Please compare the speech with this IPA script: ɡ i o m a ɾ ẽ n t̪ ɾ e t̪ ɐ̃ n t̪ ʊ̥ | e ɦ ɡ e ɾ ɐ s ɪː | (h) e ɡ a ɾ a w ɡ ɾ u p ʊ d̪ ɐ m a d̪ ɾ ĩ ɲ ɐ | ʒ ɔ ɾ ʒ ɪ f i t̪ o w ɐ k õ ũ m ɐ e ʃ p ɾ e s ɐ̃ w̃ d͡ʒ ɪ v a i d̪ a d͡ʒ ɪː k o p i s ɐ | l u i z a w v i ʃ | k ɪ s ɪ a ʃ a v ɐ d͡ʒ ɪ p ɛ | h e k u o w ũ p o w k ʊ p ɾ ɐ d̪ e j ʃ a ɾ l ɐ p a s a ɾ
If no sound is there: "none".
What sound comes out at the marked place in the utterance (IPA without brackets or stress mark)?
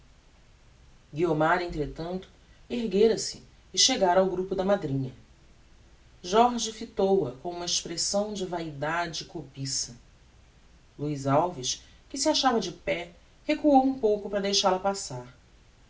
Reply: ʃ